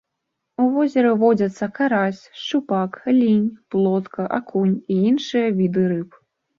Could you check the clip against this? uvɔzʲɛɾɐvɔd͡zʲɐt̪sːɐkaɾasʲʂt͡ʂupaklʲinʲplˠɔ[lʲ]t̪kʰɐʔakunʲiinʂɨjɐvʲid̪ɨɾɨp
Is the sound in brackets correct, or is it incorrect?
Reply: incorrect